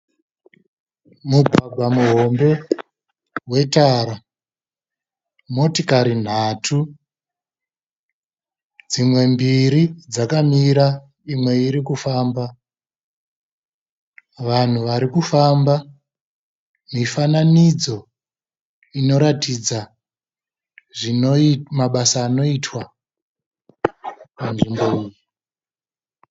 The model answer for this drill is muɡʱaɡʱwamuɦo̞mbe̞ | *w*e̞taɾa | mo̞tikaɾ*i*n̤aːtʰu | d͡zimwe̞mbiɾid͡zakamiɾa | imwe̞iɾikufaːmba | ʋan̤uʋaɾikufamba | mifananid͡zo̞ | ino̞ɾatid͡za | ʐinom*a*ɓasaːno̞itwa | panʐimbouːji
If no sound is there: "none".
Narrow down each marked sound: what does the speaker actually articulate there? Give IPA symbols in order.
w, i, a

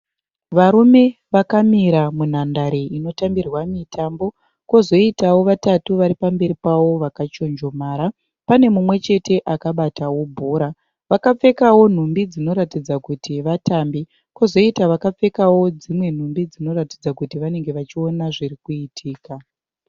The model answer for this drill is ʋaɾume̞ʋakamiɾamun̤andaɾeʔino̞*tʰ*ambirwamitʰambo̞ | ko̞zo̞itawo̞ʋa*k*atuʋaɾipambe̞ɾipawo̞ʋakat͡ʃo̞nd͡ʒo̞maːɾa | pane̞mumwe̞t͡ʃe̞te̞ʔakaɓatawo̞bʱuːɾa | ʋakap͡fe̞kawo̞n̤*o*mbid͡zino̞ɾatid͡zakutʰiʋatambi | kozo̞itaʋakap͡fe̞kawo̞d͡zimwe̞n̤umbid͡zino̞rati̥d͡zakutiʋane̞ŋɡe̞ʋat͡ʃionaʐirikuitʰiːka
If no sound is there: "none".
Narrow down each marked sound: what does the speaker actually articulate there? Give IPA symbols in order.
t, t, u

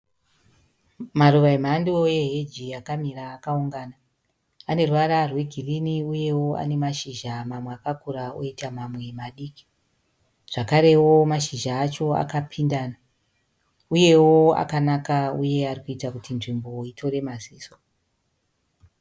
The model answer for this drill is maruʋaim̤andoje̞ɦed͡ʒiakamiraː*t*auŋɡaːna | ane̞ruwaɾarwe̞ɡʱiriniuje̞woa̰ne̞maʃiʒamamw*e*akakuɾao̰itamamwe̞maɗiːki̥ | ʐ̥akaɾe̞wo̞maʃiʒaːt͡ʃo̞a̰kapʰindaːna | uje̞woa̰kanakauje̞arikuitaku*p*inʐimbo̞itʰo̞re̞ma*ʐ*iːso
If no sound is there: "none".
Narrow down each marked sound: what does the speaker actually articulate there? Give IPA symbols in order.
k, e, t, z

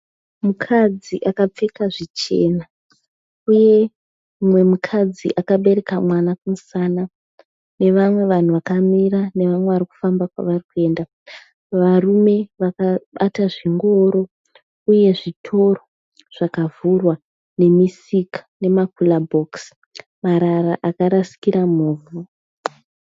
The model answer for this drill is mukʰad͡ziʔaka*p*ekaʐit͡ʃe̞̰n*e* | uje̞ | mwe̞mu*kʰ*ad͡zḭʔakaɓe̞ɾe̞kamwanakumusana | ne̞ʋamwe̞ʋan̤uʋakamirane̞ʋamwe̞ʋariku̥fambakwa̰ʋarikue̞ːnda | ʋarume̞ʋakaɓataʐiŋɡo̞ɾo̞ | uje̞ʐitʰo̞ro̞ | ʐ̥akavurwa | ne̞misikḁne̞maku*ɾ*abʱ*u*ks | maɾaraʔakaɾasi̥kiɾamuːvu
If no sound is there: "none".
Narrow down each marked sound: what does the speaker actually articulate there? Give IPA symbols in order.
p͡f, a, kʰ, l, o

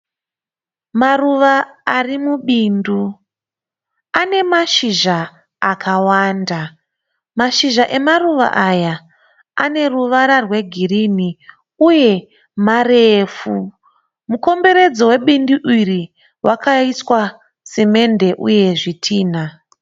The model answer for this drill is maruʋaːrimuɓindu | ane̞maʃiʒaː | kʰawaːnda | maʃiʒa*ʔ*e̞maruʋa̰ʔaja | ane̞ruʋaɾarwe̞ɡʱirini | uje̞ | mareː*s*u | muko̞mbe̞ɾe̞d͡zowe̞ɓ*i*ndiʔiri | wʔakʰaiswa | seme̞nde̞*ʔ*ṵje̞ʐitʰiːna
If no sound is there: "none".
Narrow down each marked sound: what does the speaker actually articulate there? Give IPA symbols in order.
ʔ, f, i, ʔ

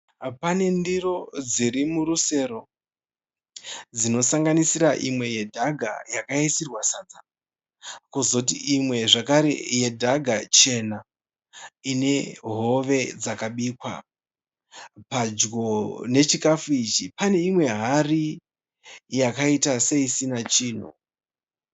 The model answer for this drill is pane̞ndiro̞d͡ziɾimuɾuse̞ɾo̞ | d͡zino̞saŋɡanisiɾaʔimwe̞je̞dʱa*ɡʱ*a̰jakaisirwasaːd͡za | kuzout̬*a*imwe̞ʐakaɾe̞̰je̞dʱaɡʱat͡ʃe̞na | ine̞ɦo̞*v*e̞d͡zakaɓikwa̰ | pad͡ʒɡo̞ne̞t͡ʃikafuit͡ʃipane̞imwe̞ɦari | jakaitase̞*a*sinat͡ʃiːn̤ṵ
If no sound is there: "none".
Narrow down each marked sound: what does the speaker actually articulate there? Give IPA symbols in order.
ɡʱ, i, ʋ, i

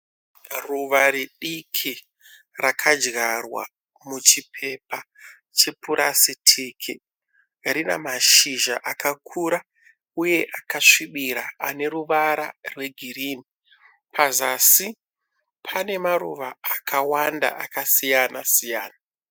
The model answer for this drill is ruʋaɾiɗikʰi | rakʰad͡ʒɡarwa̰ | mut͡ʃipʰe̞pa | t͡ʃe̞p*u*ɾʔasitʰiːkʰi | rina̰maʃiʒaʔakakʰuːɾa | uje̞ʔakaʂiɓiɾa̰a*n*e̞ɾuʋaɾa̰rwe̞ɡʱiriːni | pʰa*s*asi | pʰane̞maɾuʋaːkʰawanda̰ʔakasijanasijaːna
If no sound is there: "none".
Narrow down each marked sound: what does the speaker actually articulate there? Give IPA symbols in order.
u, n, z

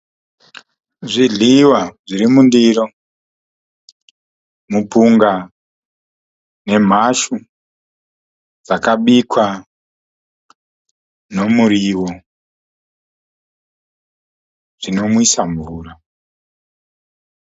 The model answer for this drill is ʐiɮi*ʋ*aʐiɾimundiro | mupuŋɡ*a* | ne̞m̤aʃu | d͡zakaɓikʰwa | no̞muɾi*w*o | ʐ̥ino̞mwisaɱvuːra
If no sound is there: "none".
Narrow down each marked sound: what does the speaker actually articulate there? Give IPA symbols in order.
w, a, w

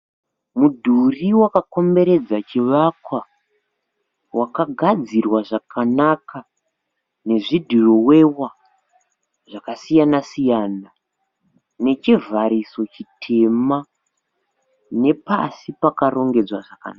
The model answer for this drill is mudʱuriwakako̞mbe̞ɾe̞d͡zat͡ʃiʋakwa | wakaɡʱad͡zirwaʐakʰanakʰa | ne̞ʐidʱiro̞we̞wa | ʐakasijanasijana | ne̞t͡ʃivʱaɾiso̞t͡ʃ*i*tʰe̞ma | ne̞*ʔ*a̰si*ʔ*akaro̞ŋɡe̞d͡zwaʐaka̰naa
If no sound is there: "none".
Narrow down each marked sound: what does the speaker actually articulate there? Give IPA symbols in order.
i, p, p

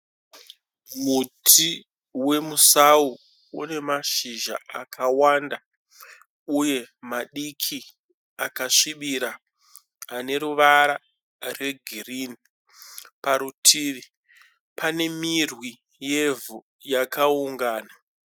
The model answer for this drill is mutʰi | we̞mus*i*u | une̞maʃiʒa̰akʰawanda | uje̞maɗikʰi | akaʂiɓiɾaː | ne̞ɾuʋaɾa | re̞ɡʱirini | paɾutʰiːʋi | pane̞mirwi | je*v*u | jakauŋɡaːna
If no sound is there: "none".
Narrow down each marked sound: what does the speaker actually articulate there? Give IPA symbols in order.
a, v

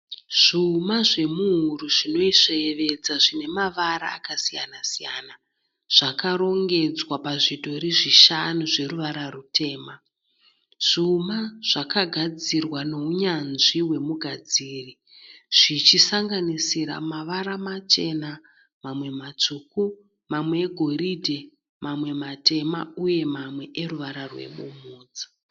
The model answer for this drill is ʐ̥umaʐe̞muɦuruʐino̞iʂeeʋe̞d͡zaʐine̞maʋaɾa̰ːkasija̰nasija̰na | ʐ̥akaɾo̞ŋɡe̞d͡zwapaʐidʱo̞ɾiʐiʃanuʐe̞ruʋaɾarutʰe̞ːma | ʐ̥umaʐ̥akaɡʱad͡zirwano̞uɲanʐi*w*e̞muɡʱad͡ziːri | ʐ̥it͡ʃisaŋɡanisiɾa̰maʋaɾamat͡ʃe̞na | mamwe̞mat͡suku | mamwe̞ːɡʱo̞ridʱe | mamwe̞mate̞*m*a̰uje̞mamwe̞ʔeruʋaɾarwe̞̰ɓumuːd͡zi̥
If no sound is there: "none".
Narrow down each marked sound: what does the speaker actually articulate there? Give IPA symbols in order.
w, m

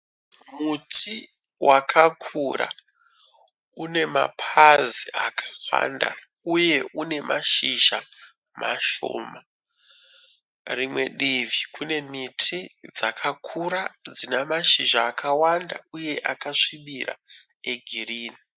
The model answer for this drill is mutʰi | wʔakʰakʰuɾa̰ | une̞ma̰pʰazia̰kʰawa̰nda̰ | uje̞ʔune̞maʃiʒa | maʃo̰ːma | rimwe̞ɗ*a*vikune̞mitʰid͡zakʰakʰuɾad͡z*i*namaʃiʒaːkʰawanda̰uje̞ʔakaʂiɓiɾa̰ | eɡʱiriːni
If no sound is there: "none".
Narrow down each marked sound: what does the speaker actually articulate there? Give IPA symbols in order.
i, i

